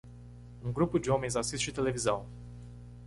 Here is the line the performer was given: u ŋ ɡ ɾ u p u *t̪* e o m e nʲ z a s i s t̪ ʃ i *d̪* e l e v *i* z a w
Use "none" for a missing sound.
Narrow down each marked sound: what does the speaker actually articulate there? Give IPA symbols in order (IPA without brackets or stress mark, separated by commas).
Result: d̪, t̪, i